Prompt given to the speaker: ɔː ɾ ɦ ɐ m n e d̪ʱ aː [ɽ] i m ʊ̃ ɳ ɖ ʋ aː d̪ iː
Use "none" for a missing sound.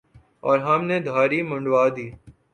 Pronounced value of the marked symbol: ɾ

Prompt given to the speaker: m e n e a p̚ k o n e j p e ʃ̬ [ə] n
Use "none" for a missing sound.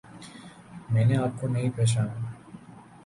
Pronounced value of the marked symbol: a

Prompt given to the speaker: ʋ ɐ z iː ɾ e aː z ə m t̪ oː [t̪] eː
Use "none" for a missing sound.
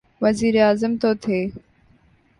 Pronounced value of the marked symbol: t̪ʰ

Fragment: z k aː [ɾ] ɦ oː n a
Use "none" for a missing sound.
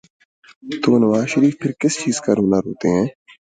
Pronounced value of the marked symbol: ɾ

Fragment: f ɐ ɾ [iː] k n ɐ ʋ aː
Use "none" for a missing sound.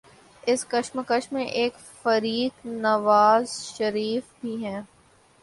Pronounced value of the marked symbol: iː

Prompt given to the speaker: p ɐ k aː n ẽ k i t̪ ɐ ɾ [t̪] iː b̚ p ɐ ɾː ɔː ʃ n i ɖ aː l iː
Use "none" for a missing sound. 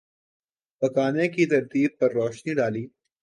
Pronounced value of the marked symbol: t̪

